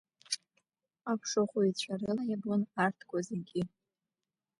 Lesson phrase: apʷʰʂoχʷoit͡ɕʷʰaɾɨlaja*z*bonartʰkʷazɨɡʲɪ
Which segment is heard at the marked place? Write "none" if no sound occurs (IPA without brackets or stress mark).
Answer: none